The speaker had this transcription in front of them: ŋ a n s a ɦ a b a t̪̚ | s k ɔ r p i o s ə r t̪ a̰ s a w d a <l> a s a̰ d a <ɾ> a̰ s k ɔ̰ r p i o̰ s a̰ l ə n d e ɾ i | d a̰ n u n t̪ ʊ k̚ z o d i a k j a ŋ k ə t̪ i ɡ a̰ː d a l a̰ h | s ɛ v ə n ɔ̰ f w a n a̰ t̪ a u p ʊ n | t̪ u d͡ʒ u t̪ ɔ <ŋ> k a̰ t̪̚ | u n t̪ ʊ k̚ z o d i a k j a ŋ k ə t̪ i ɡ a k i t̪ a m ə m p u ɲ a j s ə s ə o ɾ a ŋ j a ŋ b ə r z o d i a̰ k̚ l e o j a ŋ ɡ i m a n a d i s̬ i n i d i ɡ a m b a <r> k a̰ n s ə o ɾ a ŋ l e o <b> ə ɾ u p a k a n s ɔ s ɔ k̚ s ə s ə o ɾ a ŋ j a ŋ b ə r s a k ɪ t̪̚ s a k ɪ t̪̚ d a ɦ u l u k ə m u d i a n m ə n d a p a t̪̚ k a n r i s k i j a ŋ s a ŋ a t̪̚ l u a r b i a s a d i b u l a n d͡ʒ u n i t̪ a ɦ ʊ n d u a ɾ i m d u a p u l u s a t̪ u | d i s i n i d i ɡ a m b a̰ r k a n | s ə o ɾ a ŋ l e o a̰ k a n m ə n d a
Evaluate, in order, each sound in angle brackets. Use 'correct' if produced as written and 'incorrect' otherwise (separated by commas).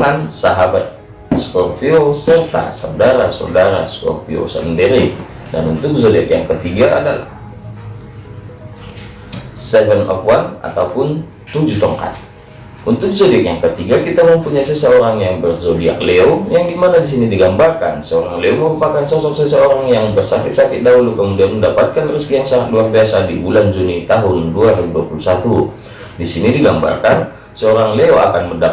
incorrect, correct, correct, correct, incorrect